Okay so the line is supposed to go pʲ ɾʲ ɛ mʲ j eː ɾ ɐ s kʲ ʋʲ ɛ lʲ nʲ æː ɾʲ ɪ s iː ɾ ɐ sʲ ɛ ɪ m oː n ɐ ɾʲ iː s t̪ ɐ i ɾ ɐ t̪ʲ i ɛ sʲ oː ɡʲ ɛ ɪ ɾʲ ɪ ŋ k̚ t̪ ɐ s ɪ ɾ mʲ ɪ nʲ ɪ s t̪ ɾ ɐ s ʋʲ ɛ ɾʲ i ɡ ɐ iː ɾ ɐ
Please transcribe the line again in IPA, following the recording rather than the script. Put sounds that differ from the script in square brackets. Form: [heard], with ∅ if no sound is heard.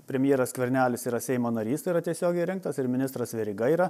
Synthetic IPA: pʲ ɾʲ ɛ mʲ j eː ɾ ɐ s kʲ ʋʲ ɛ [ɾʲ] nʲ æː [lʲ] ɪ s iː ɾ ɐ sʲ ɛ ɪ m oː n ɐ ɾʲ iː s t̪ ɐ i ɾ ɐ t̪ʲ i ɛ sʲ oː ɡʲ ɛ ɪ ɾʲ ɪ ŋ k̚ t̪ ɐ s ɪ ɾ mʲ ɪ nʲ ɪ s t̪ ɾ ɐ s ʋʲ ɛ ɾʲ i ɡ ɐ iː ɾ ɐ

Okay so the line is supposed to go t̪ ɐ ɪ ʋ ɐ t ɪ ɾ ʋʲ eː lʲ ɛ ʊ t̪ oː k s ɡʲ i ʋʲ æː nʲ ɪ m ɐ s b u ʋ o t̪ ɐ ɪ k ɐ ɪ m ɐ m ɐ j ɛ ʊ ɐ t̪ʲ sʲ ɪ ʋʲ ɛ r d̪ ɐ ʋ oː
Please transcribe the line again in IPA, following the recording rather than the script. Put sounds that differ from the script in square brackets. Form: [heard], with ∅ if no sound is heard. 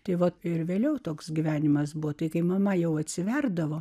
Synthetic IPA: t̪ ɐ ɪ ʋ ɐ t ɪ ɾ ʋʲ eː lʲ ɛ ʊ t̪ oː k s ɡʲ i ʋʲ æː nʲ ɪ m ɐ s b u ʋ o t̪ ɐ ɪ k ɐ ɪ m ɐ m ɐ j ɛ ʊ ɐ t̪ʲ sʲ ɪ ʋʲ ɛ r d̪ ɐ ʋ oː

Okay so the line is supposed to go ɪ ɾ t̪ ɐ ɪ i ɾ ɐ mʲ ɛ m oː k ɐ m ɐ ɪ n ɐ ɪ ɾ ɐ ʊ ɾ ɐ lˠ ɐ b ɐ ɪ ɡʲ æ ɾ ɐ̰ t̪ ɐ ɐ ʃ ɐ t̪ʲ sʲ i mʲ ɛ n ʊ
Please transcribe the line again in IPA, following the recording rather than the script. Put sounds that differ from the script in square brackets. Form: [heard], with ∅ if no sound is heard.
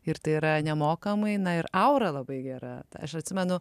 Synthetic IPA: ɪ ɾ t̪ ɐ ɪ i ɾ ɐ [nʲ] ɛ m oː k ɐ m ɐ ɪ n ɐ ɪ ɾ ɐ ʊ ɾ ɐ lˠ ɐ b ɐ ɪ ɡʲ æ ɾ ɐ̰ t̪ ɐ ɐ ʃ ɐ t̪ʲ sʲ [ɪ] mʲ ɛ n ʊ

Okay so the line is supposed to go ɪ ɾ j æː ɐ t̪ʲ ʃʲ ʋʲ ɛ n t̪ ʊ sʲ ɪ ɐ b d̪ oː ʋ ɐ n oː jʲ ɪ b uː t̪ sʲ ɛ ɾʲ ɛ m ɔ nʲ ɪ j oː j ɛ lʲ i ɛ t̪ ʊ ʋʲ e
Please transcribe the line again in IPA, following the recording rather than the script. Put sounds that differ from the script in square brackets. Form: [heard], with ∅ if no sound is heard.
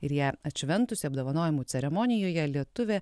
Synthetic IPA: ɪ ɾ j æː ɐ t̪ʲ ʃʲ ʋʲ ɛ n t̪ ʊ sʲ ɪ ɐ b d̪ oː ʋ ɐ n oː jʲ ɪ [m] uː t̪ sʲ ɛ ɾʲ ɛ m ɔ nʲ ɪ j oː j ɛ lʲ i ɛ t̪ ʊ ʋʲ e

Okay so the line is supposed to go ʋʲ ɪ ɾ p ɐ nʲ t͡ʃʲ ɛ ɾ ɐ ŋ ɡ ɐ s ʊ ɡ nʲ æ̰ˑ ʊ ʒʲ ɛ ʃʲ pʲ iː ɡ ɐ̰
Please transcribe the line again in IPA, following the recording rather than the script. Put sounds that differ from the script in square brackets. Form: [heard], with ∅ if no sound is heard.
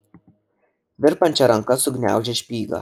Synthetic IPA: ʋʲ ɪ ɾ p ɐ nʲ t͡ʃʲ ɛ ɾ ɐ ŋ [k] ɐ s ʊ ɡ nʲ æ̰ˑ ʊ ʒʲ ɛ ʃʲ pʲ iː ɡ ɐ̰

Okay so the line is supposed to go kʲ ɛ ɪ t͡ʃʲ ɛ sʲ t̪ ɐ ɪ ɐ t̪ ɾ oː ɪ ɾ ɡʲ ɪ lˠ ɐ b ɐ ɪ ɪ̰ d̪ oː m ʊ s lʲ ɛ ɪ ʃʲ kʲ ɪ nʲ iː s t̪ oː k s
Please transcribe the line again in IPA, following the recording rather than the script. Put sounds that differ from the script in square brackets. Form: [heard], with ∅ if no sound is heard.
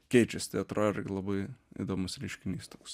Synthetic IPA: kʲ ɛ ɪ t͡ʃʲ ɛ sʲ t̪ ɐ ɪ ɐ t̪ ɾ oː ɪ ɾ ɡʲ ɪ lˠ ɐ b ɐ ɪ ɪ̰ d̪ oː m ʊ s [ɾʲ] ɛ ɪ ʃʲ kʲ ɪ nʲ iː s t̪ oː k s

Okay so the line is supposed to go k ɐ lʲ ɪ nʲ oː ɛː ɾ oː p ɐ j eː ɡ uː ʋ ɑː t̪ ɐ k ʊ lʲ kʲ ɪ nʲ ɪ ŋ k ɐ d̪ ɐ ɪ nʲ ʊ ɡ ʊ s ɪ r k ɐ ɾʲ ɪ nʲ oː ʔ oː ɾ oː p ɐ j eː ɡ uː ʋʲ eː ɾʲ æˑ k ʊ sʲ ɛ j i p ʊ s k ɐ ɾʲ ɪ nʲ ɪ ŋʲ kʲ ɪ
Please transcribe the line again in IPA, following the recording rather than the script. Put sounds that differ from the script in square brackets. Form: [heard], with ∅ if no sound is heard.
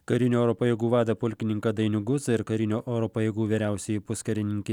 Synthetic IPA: k ɐ [ɾʲ] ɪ nʲ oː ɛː ɾ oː p ɐ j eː ɡ uː ʋ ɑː [d̪] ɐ [p] ʊ lʲ kʲ ɪ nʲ ɪ ŋ k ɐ d̪ ɐ ɪ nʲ ʊ ɡ ʊ s ɪ [ɾ] k ɐ ɾʲ ɪ nʲ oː ʔ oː ɾ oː p ɐ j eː ɡ uː ʋʲ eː ɾʲ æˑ [∅] ʊ sʲ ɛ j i p ʊ s k ɐ ɾʲ ɪ nʲ ɪ ŋʲ kʲ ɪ

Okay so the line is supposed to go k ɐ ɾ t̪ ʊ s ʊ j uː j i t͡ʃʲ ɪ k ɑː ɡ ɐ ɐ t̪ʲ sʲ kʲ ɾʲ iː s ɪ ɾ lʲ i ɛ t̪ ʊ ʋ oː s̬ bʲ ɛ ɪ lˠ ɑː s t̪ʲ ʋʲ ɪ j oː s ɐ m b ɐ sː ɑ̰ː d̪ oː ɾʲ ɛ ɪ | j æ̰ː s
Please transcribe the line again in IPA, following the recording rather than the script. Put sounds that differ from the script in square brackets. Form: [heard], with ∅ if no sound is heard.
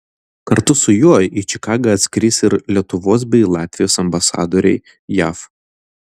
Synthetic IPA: k ɐ ɾ t̪ ʊ s ʊ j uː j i t͡ʃʲ ɪ k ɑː ɡ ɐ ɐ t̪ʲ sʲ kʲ ɾʲ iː s ɪ ɾ lʲ i ɛ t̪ ʊ ʋ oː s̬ bʲ ɛ ɪ lˠ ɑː [∅] t̪ʲ ʋʲ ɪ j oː s ɐ m b ɐ [s] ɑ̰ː d̪ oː ɾʲ ɛ ɪ | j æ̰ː [f]

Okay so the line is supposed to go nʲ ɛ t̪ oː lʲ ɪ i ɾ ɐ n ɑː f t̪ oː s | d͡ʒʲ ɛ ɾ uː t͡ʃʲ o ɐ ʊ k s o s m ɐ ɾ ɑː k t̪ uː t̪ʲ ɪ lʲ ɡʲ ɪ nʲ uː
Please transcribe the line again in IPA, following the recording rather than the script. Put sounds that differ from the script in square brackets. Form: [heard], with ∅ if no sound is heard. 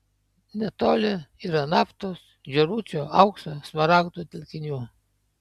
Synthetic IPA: nʲ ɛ t̪ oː lʲ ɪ i ɾ ɐ n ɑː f t̪ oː s | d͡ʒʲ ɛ ɾ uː t͡ʃʲ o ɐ ʊ k s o s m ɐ ɾ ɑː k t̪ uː t̪ʲ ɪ lʲ [kʲ] ɪ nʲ uː

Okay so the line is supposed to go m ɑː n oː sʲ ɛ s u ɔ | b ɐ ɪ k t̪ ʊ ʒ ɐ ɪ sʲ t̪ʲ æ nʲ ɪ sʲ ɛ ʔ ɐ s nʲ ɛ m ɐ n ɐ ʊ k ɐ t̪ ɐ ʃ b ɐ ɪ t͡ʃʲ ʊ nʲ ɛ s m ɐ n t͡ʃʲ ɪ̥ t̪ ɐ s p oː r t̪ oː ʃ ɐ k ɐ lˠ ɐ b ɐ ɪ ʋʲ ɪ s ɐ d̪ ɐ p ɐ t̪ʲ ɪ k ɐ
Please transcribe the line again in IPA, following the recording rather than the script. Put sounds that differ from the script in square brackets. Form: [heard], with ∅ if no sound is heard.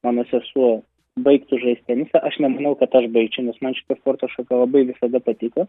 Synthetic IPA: m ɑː n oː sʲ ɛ s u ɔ | b ɐ ɪ k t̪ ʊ ʒ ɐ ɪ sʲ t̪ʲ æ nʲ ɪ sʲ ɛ ʔ ɐ [ʃ] nʲ ɛ m ɐ n ɐ ʊ k ɐ t̪ ɐ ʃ b ɐ ɪ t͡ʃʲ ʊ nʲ ɛ s m ɐ n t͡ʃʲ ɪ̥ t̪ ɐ s p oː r t̪ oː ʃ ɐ k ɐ lˠ ɐ b ɐ ɪ ʋʲ ɪ s ɐ d̪ ɐ p ɐ t̪ʲ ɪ k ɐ

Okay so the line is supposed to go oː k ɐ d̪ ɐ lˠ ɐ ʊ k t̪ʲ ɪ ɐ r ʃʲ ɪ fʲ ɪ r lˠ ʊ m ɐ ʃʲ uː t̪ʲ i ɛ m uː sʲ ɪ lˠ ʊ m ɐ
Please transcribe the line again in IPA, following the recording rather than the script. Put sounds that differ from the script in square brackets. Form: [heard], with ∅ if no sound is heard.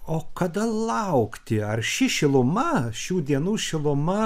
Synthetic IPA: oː k ɐ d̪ ɐ lˠ ɐ ʊ k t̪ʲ ɪ ɐ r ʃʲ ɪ [ʃʲ] ɪ [∅] lˠ ʊ m ɐ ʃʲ uː [d̪ʲ] i ɛ [n] uː [ʃʲ] ɪ lˠ ʊ m ɐ

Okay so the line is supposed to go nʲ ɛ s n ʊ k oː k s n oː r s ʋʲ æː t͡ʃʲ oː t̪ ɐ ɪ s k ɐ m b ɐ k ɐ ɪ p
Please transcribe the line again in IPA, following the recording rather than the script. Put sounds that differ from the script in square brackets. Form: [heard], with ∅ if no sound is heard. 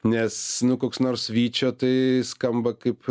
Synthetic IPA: nʲ ɛ s n ʊ k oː k s n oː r s ʋʲ [iː] t͡ʃʲ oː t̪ ɐ ɪ s k ɐ m b ɐ k ɐ ɪ p

